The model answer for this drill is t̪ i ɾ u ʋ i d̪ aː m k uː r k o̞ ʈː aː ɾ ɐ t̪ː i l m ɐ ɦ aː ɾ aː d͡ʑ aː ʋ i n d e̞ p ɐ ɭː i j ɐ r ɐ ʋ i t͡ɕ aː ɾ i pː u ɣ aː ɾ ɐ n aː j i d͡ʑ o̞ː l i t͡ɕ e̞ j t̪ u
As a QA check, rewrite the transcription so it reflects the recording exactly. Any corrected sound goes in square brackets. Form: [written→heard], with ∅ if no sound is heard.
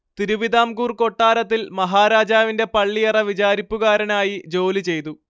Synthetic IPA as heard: t̪ i ɾ u ʋ i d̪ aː m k uː r k o̞ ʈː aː ɾ ɐ t̪ː i l m ɐ ɦ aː ɾ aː d͡ʑ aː ʋ i n d e̞ p ɐ ɭː i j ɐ r ɐ ʋ i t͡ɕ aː ɾ i pː u ɣ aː ɾ ɐ n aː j i d͡ʑ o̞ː l i t͡ɕ e̞ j t̪ u